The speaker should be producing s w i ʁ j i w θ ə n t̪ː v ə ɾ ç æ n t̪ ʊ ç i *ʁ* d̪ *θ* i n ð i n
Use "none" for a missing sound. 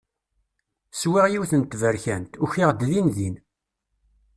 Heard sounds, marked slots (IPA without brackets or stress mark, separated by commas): ʁ, ð